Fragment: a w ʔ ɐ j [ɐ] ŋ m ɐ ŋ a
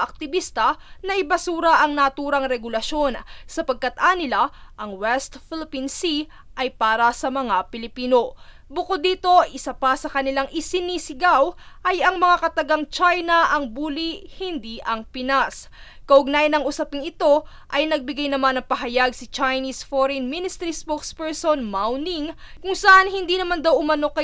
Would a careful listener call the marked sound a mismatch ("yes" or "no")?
no